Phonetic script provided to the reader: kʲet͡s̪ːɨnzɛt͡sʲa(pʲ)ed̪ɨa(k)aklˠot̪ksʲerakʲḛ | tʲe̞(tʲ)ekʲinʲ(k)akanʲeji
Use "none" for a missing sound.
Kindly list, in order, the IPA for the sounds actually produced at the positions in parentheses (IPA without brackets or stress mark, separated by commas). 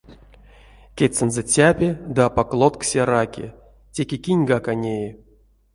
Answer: pʲ, p, kʲ, ɡ